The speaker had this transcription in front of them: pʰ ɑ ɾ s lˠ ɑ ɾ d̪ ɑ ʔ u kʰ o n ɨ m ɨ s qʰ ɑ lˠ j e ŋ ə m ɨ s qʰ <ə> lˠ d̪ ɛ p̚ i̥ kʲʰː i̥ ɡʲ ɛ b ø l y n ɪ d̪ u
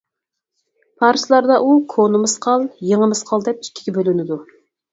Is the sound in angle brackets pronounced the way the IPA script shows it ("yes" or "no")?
no